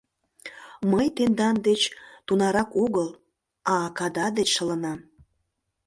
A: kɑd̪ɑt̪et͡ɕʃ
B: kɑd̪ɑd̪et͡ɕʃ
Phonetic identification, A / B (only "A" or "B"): B